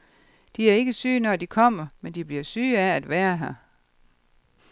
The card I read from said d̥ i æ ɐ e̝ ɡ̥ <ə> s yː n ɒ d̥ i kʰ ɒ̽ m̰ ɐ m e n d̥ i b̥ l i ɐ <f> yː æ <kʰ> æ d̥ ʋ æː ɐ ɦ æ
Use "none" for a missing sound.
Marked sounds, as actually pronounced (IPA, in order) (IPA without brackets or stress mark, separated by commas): ə, s, none